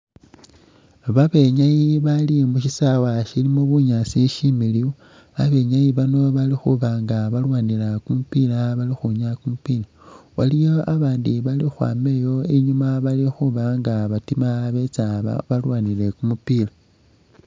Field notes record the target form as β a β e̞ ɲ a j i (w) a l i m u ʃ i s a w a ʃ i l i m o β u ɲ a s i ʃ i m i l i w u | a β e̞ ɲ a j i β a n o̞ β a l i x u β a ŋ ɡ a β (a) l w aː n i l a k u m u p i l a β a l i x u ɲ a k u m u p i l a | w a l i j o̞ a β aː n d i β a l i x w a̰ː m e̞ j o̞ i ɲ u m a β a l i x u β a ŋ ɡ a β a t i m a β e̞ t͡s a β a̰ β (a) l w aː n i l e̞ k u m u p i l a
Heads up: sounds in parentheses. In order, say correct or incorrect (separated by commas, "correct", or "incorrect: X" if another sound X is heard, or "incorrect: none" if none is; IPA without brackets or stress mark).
incorrect: β, correct, correct